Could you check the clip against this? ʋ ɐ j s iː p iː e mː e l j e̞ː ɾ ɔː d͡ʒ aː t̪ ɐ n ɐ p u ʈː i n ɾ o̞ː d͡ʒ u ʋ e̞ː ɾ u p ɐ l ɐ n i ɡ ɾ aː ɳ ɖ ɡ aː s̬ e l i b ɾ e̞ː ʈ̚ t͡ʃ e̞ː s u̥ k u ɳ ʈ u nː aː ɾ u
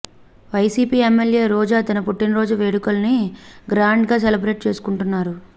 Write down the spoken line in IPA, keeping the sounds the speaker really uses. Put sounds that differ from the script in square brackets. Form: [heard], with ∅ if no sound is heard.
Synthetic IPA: ʋ ɐ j s iː p iː e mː e l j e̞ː ɾ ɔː d͡ʒ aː t̪ ɐ n ɐ p u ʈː i n ɾ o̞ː d͡ʒ u ʋ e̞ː [ɽ] u [k] ɐ l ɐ n i ɡ ɾ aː ɳ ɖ ɡ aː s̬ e l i b ɾ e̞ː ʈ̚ t͡ʃ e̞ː s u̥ k u ɳ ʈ u nː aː ɾ u